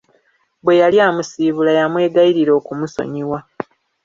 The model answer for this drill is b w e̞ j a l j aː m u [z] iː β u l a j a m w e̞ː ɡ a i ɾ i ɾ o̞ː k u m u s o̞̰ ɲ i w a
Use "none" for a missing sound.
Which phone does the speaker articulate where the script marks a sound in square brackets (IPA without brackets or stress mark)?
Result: s